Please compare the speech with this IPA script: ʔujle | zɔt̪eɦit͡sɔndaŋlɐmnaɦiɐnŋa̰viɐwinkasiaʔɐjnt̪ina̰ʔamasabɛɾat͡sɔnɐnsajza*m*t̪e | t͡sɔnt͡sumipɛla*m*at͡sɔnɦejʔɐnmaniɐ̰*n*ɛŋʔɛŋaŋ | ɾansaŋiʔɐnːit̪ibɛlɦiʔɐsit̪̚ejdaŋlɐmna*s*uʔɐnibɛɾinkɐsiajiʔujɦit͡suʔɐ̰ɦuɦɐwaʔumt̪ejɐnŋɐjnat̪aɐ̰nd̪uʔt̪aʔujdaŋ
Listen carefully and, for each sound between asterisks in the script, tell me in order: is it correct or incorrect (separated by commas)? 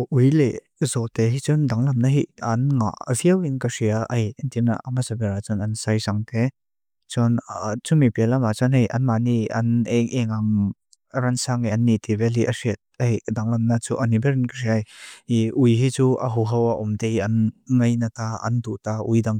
incorrect, correct, correct, incorrect